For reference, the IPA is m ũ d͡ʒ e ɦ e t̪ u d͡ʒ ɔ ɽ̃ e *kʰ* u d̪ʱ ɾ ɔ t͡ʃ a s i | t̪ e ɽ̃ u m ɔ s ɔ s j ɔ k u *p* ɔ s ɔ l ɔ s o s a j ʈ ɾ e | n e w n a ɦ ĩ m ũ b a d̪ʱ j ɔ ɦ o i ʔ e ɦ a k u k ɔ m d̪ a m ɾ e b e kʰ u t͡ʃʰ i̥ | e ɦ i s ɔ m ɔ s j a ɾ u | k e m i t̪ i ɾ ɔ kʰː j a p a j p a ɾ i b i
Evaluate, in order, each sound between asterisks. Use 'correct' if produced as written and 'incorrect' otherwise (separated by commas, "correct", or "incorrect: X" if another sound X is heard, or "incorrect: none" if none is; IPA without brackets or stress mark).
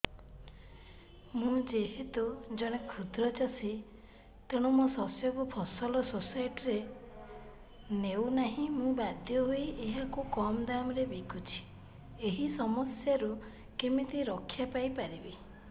correct, incorrect: pʰ